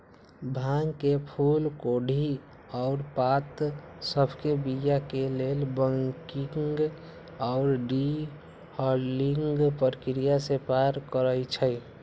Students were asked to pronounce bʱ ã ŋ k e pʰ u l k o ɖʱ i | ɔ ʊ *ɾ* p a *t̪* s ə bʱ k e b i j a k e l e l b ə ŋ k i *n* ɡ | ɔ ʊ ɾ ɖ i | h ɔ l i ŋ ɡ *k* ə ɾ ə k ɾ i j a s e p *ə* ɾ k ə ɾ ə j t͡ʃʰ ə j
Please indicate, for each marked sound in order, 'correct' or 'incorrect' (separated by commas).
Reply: correct, correct, incorrect, incorrect, incorrect